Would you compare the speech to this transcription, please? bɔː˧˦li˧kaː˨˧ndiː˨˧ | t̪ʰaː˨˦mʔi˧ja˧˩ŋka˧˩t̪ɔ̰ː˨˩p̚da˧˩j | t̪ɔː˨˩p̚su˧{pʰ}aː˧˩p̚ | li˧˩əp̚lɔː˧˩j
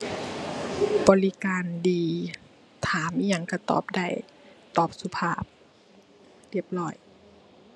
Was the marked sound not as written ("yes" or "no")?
no